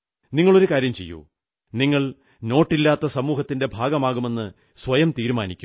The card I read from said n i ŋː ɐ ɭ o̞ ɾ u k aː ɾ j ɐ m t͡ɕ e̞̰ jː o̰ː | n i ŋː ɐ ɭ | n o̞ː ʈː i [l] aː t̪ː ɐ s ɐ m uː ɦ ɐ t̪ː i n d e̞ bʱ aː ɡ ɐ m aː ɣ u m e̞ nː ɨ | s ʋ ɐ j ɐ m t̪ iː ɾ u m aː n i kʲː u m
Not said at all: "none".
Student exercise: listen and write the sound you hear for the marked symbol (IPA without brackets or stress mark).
lː